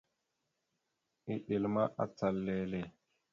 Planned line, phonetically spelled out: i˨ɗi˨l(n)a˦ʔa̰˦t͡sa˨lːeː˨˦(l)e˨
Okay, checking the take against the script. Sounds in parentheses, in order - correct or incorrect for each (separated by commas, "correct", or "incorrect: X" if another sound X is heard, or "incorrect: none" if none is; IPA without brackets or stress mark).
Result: incorrect: m, correct